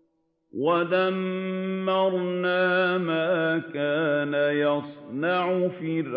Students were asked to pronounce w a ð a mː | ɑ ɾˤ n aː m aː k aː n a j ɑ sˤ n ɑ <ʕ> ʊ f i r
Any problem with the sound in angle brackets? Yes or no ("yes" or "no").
no